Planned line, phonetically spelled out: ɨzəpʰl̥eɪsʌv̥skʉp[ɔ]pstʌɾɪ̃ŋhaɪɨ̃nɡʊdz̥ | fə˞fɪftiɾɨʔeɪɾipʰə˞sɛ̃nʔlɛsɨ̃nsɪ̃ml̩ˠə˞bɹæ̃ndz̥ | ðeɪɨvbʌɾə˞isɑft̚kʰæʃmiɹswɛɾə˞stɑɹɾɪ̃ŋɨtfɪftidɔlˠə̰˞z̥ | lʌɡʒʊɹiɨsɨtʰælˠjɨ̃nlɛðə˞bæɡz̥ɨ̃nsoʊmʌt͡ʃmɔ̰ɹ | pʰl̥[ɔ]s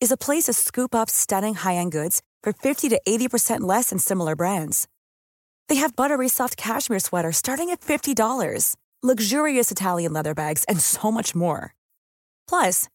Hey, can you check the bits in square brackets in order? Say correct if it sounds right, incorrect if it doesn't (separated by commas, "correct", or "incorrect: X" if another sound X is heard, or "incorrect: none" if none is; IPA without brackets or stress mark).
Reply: incorrect: ʌ, incorrect: ʌ